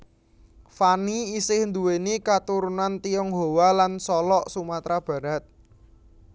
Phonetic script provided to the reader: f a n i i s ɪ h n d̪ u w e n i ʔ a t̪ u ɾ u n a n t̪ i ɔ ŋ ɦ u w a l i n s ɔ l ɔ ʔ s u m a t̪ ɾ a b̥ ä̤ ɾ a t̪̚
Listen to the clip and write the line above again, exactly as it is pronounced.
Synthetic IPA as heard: f a n i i s ɪ h n d̪ u w e n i k a t̪ u ɾ u n a n t̪ i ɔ ŋ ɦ o w a l a n s ɔ l ɔ ʔ s u m a t̪ ɾ a b̥ ä̤ ɾ a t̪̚